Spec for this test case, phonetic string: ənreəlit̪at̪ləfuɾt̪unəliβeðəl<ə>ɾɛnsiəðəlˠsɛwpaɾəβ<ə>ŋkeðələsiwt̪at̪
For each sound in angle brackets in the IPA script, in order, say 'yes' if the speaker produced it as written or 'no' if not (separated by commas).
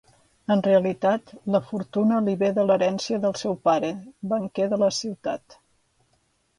yes, yes